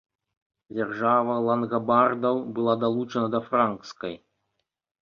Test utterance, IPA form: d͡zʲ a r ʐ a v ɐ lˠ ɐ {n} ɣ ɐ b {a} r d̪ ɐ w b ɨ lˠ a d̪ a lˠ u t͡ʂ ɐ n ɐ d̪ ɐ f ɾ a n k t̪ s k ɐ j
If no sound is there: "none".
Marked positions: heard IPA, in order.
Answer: n, a

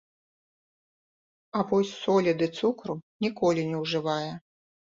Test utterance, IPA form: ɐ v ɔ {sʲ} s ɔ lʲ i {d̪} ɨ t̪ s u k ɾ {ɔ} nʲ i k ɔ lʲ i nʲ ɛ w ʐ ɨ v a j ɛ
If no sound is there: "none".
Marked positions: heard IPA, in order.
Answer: sʲ, d̪, u

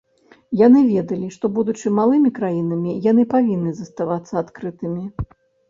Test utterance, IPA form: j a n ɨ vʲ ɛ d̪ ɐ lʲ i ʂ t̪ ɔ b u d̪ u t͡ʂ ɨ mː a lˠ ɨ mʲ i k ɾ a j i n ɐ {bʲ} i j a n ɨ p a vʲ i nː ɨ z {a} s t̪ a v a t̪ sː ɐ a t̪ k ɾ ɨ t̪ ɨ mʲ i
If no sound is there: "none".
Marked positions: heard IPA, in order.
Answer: mʲ, ɐ

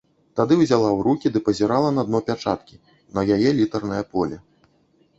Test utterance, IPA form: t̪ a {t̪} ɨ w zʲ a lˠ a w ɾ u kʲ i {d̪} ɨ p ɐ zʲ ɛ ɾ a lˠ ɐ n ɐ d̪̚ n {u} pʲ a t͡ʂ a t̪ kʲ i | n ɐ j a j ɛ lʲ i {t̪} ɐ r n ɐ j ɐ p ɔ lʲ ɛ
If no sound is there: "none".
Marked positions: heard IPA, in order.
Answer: d̪, d̪, ɔ, t̪

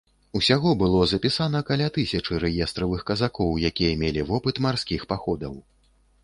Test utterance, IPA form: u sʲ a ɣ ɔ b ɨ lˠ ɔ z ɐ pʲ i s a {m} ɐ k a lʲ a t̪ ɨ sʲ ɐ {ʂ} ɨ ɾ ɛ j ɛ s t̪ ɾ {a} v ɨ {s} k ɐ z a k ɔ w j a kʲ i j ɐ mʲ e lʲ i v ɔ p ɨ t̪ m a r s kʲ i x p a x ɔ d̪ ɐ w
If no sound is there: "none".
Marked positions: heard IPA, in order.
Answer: n, t͡ʂ, ɐ, x

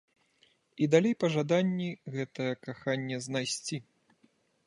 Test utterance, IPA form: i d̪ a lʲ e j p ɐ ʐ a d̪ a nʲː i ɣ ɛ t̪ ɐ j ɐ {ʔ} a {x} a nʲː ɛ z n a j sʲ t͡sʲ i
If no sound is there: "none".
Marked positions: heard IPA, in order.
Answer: k, x

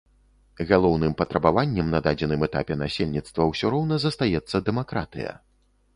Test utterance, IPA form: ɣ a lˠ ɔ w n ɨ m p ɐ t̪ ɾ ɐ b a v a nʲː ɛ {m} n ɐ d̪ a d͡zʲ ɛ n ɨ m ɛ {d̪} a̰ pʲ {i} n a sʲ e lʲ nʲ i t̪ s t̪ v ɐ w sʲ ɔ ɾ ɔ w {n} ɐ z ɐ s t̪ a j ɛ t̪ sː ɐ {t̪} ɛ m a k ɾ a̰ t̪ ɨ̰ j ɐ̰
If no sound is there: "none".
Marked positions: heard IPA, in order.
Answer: m, t̪, ɛ, n, d̪

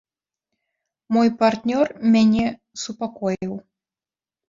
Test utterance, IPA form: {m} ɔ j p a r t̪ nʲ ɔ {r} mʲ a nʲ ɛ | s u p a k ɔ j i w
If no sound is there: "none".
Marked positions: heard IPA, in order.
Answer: m, r

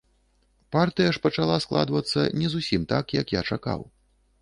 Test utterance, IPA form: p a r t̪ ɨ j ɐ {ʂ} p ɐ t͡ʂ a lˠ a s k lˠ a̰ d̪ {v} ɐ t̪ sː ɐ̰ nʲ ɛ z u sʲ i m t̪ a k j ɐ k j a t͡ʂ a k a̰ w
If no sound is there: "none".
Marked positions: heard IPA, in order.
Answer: ʂ, v

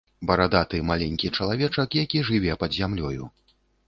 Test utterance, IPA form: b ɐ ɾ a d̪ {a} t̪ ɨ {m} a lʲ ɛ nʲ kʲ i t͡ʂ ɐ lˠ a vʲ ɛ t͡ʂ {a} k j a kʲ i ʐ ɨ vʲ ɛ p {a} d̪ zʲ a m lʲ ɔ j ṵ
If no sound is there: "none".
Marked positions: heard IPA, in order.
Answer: a, m, ɐ, ɐ

